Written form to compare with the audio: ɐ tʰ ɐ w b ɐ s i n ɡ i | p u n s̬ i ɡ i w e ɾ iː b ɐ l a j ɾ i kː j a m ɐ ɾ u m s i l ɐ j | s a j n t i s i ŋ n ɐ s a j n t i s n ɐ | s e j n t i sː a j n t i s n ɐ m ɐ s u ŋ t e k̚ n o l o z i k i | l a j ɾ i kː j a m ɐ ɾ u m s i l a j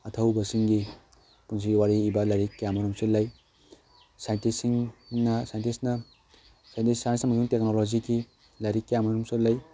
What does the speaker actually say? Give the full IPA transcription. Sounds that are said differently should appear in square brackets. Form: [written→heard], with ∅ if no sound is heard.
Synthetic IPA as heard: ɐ tʰ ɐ w b ɐ s i [n→ŋ] ɡ i | p u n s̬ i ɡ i w [e→a] ɾ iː b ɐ l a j ɾ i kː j a m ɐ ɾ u m s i l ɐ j | s a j n t i s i ŋ n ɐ s a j n t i s n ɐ | s [e→a] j n t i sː a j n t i s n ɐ m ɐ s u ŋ t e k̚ n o l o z i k i | l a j ɾ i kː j a m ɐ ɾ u m s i l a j